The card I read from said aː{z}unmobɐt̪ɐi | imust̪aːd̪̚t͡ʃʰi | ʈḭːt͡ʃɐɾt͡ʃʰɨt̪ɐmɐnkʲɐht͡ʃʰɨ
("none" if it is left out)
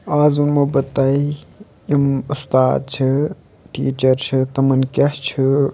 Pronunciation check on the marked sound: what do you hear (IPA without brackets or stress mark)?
z